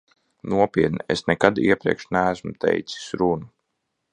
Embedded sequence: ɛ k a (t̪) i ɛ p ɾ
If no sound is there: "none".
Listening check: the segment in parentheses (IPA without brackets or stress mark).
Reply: d̪